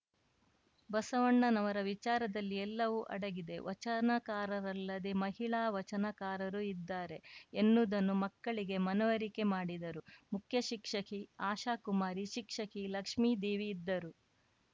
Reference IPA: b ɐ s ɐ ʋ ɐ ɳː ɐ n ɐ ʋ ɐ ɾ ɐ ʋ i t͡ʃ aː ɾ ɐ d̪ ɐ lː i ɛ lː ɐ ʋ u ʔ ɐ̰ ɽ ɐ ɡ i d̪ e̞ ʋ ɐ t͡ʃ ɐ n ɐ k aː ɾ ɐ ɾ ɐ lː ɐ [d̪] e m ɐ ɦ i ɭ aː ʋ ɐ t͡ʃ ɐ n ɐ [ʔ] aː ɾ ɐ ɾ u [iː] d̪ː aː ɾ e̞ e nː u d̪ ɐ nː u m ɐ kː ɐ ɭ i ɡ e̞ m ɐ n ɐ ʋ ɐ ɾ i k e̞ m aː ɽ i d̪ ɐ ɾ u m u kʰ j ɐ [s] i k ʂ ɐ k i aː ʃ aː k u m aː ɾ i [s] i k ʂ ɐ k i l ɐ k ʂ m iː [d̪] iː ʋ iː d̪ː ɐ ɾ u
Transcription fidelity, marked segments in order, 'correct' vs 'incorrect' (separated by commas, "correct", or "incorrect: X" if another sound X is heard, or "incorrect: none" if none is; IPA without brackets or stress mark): correct, incorrect: k, incorrect: i, incorrect: ʃ, incorrect: ʃ, correct